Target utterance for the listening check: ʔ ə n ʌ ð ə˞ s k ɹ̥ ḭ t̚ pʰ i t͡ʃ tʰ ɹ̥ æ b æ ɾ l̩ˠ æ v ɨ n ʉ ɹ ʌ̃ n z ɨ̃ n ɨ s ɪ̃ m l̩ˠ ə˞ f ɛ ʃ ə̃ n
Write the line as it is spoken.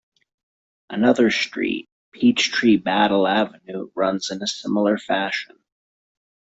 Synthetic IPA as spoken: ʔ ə n ʌ ð ə˞ s t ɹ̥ ḭ t̚ pʰ i t͡ʃ tʰ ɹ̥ i b æ ɾ l̩ˠ æ v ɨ n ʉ ɹ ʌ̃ n z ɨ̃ n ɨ s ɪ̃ m l̩ˠ ə˞ f æ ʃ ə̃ n

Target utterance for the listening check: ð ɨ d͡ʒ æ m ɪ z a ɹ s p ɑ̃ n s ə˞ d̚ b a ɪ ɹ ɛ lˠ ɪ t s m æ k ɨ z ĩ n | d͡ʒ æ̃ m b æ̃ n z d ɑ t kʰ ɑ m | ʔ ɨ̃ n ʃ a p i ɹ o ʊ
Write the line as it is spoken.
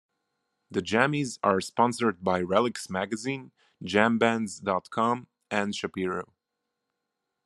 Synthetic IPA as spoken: ð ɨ d͡ʒ æ m i z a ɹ s p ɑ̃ n s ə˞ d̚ b a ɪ ɹ ɛ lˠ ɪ k s m æ ɡ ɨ z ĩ n | d͡ʒ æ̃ m b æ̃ n z d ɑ t kʰ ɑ m | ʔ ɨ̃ n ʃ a p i ɹ o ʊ

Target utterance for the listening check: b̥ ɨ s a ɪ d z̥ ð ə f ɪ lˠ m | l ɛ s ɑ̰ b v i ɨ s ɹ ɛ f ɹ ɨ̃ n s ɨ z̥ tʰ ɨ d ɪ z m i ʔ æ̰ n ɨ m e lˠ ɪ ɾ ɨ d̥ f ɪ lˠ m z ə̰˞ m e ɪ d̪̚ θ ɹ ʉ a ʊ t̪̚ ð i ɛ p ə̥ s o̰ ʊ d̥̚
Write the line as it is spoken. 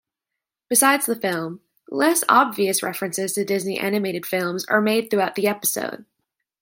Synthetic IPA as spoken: b̥ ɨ s a ɪ d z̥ ð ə f ɪ lˠ m | l ɛ s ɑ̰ b v i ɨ s ɹ ɛ f ɹ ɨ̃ n s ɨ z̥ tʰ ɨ d ɪ z n i ʔ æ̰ n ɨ m e ɪ ɾ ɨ d̥ f ɪ lˠ m z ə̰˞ m e ɪ d̪̚ θ ɹ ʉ a ʊ t̪̚ ð i ɛ p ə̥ s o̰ ʊ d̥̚

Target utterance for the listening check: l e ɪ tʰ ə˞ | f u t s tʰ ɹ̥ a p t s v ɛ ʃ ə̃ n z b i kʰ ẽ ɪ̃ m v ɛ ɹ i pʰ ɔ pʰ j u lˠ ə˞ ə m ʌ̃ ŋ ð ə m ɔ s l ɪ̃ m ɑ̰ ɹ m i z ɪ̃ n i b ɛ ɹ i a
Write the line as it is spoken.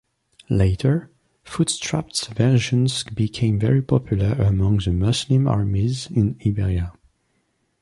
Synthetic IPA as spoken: l e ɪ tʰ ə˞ | f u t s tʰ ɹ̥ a p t s v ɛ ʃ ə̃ n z b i kʰ ẽ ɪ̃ m v ɛ ɹ i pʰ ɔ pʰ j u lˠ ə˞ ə m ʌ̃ ŋ ð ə m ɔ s l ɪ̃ m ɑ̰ ɹ m i z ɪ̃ n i b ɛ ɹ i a

